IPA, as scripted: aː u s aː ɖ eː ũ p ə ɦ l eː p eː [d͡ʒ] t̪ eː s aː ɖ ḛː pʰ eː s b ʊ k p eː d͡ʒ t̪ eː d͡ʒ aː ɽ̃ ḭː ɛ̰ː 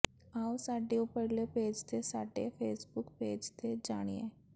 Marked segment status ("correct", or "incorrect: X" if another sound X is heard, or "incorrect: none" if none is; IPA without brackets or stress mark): correct